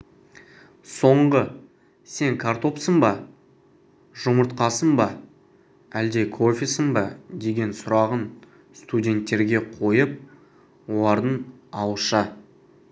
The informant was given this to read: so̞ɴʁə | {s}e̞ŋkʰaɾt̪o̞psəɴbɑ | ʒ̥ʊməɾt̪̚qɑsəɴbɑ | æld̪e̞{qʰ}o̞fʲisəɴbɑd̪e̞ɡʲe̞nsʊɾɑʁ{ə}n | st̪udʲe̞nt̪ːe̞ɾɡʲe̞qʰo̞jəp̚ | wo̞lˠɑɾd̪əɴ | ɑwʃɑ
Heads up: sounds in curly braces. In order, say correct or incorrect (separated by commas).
correct, incorrect, correct